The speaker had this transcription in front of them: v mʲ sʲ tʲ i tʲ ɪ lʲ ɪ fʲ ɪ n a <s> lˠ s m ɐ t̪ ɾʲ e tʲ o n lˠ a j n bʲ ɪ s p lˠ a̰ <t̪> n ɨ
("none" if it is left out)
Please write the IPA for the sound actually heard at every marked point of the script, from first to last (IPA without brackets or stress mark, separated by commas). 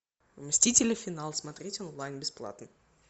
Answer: none, t̪